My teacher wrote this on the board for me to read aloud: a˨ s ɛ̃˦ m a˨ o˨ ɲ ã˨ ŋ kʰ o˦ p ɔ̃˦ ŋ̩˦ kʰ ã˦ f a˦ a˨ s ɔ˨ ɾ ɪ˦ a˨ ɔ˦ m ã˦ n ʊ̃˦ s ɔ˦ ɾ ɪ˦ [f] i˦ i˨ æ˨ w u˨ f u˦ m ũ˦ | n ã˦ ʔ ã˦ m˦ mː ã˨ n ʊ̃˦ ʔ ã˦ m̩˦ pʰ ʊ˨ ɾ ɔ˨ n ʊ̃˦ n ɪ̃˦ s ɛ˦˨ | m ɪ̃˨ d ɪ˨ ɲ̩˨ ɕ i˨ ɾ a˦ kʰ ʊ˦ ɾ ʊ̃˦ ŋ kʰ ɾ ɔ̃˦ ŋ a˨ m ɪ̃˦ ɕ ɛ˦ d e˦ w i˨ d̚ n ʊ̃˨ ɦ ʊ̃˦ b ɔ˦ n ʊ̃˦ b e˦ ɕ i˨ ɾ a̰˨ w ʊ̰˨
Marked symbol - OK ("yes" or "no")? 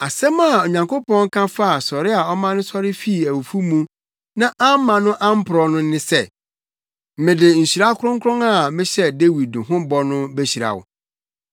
yes